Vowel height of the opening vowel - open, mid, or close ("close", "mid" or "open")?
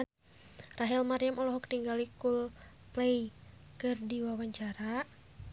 open